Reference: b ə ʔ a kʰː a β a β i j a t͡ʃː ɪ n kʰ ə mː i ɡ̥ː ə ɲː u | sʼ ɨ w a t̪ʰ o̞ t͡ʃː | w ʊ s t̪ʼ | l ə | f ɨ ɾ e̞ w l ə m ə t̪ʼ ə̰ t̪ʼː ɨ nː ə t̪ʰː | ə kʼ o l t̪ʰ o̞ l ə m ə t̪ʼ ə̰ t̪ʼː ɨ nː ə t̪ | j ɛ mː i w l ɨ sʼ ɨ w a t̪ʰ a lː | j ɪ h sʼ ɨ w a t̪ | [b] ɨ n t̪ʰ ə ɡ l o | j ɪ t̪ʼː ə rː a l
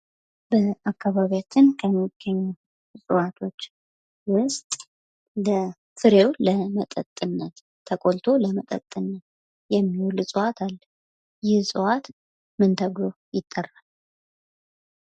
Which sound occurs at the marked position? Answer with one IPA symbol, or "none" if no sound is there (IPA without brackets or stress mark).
m